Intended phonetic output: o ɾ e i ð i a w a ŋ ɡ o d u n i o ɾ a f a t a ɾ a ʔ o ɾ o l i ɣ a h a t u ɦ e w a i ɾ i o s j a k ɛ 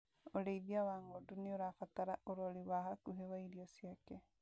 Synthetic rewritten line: o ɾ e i ð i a w a ŋ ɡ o d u n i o ɾ a f a t a ɾ a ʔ o ɾ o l i w a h a k u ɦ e w a i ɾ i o s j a k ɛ